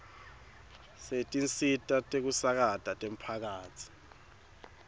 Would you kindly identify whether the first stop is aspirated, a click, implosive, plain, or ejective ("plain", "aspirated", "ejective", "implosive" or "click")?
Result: ejective